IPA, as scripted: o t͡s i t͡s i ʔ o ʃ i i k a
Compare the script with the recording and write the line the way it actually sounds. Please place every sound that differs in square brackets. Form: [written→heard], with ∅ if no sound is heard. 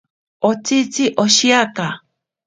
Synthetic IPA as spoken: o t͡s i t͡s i ʔ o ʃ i [i→a] k a